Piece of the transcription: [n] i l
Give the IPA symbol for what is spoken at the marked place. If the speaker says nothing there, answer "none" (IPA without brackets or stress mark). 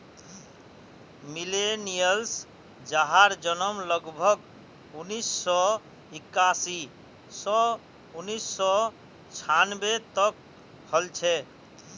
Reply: m